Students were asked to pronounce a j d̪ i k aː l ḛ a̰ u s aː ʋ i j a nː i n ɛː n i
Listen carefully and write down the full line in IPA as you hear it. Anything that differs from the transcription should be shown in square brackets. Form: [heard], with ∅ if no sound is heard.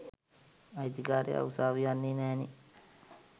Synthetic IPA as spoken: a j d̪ i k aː [ɾ] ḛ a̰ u s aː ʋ i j a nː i n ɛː n i